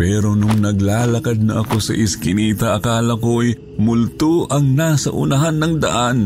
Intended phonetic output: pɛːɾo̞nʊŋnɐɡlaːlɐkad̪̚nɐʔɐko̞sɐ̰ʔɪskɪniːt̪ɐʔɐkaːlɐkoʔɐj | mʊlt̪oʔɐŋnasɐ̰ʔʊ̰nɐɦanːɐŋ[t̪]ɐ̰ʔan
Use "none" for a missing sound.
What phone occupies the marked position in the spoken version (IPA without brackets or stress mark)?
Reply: d̪